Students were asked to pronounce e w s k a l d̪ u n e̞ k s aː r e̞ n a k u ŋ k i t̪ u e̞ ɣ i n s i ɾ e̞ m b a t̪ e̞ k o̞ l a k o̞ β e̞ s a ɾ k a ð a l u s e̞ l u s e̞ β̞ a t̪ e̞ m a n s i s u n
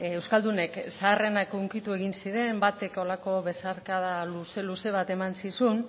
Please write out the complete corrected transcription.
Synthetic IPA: e w s k a l d̪ u n e̞ k s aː r e̞ n a k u ŋ k i t̪ u e̞ ɣ i n s i ɾ e̞ m b a t̪ e̞ k o̞ l a k o̞ β e̞ s a ɾ k a ð a l u s e̞ l u s e̞ β̞ a t̪ e̞ m a n s i s u n